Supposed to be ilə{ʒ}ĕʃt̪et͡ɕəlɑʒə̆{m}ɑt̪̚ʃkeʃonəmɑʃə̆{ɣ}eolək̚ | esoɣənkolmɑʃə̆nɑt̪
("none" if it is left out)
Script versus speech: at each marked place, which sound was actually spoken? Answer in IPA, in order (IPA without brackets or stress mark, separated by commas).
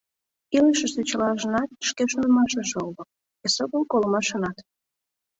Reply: ʃ, n, ʒ